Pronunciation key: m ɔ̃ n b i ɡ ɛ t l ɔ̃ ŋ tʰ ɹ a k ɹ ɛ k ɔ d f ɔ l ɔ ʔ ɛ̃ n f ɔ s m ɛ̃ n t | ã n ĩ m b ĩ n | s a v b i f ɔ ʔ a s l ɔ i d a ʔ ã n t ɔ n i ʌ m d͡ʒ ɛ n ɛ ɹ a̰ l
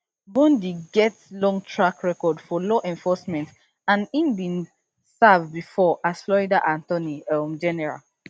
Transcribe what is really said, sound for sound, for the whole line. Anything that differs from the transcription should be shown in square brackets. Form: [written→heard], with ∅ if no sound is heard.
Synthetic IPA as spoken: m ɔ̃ n [b→d] i ɡ ɛ t l ɔ̃ ŋ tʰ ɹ a k ɹ ɛ k ɔ d f ɔ l ɔ ʔ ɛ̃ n f ɔ s m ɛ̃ n t | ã n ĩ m b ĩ n | s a v b i f ɔ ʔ a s l ɔ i d a ʔ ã n t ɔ n i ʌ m d͡ʒ ɛ n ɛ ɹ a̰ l